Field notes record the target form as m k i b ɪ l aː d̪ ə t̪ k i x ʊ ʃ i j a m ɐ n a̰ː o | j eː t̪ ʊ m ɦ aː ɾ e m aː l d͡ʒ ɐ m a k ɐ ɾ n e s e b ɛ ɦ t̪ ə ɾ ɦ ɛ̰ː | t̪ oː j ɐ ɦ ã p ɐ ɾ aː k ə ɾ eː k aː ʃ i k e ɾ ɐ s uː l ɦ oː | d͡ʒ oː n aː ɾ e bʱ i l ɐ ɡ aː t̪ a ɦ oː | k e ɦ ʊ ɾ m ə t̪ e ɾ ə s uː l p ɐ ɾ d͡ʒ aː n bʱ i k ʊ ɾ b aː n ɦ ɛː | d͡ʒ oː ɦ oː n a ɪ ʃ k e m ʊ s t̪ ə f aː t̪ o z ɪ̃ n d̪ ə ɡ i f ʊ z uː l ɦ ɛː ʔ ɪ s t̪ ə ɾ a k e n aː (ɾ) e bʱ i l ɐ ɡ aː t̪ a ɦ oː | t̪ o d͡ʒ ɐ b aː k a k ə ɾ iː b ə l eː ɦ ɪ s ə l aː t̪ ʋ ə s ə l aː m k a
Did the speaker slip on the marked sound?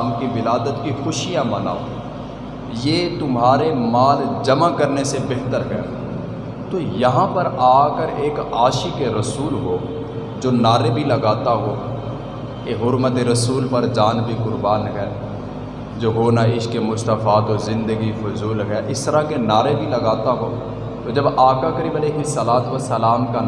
no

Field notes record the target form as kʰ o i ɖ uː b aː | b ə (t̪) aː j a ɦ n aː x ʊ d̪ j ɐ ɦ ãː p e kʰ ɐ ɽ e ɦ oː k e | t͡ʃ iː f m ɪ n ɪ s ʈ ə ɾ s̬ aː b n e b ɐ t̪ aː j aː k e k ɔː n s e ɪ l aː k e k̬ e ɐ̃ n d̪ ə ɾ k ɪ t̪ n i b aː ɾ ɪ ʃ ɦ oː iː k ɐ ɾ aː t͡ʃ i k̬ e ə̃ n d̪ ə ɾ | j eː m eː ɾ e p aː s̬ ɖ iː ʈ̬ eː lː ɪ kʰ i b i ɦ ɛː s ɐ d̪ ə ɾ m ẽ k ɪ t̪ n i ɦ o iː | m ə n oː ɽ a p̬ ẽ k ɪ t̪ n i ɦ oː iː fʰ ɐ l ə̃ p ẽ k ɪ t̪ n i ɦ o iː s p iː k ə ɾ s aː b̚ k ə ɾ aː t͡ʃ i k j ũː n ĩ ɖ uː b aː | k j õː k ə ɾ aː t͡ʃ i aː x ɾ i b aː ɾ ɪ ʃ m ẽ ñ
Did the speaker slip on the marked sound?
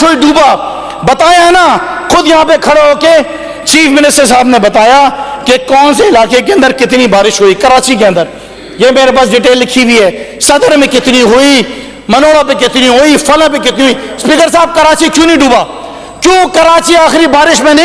no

